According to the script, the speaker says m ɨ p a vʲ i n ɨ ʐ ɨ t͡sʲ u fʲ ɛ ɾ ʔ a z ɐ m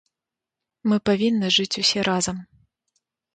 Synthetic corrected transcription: m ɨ p a vʲ i nː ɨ ʐ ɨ t͡sʲ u sʲ ɛ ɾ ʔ a z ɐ m